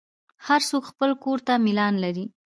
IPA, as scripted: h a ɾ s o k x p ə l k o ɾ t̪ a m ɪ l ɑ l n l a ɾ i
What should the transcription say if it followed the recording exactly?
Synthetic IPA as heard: h a ɾ s o k x p ə l k o ɾ t̪ a m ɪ l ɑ n l a ɾ i